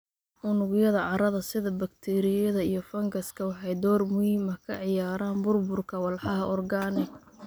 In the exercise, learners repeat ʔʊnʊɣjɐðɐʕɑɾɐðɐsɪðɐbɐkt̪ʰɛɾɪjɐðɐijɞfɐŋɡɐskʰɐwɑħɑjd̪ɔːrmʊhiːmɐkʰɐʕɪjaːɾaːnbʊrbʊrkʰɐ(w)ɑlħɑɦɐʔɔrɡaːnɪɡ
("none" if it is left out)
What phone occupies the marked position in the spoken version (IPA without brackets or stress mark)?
w